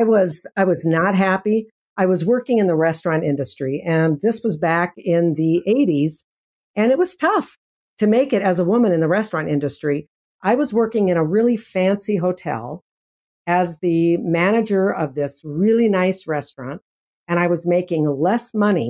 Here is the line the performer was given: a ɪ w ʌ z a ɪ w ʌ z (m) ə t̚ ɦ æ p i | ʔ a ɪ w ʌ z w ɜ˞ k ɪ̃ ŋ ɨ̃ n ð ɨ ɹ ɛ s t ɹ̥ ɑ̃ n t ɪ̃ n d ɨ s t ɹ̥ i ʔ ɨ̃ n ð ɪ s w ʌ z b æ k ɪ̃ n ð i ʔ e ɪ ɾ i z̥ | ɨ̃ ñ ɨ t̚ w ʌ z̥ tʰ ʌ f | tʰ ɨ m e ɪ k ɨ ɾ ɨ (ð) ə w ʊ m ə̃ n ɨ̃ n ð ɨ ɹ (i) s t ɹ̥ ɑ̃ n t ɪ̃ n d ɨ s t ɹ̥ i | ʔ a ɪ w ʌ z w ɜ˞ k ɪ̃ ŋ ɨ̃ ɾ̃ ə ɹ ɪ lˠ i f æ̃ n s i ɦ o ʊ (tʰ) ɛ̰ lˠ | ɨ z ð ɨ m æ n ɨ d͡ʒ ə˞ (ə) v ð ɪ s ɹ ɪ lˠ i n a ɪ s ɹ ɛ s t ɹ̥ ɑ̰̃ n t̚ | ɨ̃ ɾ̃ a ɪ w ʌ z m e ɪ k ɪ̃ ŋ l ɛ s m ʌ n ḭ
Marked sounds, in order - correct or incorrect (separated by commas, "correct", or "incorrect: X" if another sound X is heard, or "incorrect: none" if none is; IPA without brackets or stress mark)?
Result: incorrect: n, incorrect: z, incorrect: ɛ, correct, incorrect: ʌ